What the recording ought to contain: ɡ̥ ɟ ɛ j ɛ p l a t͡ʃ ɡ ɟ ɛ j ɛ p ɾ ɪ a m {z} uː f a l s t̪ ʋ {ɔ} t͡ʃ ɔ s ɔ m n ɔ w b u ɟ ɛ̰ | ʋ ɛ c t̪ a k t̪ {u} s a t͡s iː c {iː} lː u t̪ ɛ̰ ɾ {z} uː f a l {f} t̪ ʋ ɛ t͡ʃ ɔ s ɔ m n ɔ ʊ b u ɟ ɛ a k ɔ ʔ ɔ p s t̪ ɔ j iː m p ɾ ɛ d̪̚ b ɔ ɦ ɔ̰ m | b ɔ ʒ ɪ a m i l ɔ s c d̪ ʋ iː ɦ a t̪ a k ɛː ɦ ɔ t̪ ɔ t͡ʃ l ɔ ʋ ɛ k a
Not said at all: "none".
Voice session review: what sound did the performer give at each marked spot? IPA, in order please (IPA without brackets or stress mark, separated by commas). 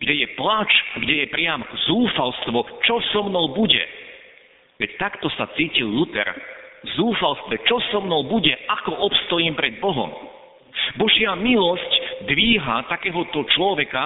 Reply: z, ɔ, ɔ, i, z, s